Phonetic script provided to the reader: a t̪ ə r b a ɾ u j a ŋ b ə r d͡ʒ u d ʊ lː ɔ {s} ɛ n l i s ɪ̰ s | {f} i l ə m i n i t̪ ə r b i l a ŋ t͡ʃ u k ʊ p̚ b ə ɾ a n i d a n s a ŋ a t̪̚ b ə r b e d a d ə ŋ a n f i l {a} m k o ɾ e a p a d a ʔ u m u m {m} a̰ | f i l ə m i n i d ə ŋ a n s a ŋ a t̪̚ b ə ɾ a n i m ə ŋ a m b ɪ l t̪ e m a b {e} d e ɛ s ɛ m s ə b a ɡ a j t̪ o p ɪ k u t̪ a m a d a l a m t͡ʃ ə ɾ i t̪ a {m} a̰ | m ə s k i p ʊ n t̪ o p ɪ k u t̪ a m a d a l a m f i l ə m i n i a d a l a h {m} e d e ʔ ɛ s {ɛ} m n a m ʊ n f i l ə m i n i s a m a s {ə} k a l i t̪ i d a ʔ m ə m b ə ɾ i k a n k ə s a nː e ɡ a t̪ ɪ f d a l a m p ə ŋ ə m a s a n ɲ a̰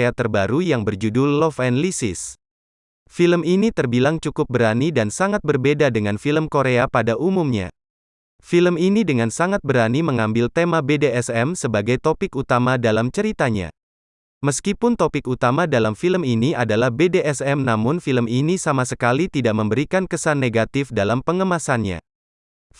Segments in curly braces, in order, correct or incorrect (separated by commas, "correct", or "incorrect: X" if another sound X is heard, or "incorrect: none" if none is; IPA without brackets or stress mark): incorrect: f, correct, incorrect: ə, incorrect: ɲ, correct, incorrect: ɲ, incorrect: b, correct, correct